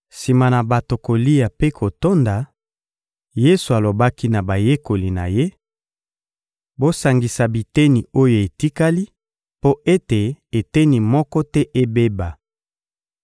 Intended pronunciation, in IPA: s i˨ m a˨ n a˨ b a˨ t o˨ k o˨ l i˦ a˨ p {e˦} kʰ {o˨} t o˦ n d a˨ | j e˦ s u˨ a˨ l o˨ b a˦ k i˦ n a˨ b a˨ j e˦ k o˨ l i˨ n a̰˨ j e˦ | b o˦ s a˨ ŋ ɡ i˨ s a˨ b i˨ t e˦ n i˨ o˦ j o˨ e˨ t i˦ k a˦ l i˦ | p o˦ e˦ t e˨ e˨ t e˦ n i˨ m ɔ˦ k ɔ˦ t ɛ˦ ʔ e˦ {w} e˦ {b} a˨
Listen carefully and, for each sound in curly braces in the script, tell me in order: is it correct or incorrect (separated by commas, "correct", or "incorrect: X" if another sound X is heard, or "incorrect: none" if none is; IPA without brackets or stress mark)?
correct, correct, incorrect: b, correct